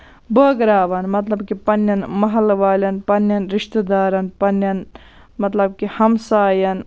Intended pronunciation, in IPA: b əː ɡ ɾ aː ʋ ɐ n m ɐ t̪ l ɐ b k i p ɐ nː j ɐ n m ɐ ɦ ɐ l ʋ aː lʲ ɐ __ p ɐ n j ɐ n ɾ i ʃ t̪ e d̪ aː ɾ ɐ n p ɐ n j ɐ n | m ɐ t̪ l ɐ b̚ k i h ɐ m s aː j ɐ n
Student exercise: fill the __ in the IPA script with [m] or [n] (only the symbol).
n